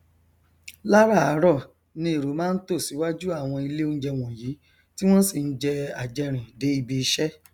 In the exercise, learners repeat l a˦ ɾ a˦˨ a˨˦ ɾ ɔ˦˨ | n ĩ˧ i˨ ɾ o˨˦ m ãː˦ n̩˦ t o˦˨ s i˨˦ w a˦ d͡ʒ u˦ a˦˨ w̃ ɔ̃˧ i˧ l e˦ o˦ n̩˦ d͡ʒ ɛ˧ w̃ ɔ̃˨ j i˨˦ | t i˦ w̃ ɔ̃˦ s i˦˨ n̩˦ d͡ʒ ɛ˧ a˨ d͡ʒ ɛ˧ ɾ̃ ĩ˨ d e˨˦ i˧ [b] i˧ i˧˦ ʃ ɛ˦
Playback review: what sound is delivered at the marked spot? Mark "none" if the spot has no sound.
b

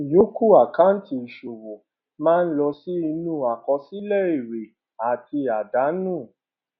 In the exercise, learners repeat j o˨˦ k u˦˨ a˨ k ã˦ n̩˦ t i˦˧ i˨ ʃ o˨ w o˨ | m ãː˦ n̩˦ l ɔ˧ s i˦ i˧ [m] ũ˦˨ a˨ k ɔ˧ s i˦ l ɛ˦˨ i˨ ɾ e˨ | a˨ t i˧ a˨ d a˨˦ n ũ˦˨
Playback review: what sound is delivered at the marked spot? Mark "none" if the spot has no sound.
n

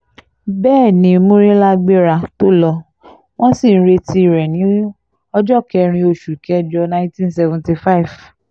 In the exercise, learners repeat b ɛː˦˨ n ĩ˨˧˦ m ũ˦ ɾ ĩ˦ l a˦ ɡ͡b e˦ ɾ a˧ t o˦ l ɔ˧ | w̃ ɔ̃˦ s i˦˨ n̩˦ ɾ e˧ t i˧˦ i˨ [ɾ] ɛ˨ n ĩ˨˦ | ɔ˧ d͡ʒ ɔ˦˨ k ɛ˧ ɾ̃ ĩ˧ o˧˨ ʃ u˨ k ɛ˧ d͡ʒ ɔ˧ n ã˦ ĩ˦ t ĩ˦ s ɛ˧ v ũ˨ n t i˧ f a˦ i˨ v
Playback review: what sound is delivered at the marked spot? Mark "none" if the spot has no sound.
ɾ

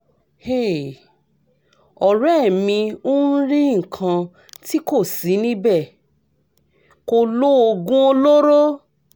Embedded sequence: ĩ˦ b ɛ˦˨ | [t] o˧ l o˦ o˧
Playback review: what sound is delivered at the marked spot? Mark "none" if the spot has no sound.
k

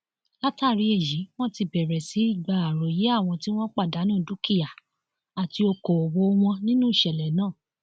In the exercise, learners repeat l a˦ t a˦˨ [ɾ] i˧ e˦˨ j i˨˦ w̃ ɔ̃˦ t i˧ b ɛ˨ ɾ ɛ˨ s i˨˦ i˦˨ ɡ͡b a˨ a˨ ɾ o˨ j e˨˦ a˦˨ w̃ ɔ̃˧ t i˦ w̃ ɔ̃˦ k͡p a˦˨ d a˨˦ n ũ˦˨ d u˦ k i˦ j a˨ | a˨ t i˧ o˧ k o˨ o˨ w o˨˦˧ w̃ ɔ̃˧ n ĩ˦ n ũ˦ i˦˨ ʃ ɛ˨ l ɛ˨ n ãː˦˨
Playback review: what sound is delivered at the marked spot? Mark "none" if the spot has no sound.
ɾ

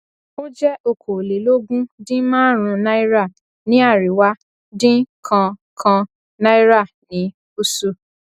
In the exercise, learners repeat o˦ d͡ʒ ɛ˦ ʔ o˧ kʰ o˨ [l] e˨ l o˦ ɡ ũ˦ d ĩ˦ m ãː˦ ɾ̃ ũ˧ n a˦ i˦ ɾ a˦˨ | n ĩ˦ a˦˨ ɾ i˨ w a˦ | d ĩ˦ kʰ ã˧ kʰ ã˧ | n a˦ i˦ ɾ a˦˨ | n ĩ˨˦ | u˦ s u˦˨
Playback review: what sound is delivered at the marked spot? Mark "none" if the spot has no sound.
l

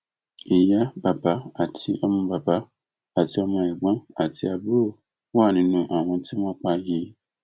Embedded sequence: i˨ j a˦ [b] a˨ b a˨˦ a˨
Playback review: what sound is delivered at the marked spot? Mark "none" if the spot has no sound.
b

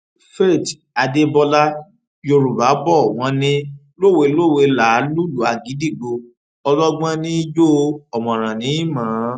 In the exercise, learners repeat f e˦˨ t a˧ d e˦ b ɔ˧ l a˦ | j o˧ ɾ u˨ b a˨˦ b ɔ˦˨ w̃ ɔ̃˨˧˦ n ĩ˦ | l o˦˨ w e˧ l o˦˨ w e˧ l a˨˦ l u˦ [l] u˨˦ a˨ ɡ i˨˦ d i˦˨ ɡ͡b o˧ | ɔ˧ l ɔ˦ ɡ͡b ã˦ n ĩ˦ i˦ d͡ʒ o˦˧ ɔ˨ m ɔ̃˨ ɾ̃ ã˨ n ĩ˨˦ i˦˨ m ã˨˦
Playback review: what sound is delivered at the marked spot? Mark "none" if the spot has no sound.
l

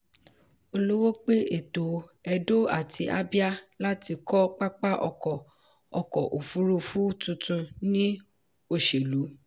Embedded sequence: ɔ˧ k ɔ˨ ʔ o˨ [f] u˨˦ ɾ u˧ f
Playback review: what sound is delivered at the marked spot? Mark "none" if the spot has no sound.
f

